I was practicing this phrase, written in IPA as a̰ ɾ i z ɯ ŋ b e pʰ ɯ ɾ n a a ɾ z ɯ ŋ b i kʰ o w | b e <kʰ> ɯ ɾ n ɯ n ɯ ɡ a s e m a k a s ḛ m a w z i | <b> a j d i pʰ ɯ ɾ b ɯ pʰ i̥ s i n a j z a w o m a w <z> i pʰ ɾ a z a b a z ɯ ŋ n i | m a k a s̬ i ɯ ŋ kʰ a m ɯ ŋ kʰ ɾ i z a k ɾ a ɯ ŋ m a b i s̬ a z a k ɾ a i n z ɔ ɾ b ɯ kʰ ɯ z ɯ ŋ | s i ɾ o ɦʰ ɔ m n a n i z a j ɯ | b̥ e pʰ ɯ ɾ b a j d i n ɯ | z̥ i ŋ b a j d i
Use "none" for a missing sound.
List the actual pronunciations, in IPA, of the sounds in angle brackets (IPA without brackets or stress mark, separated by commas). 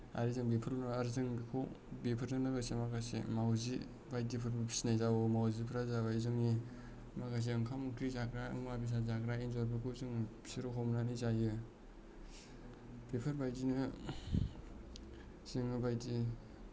pʰ, b, z